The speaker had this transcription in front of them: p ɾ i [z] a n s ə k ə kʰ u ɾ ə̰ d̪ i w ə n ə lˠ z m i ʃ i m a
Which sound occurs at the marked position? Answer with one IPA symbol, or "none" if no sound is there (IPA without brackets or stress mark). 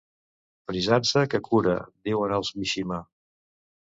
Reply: z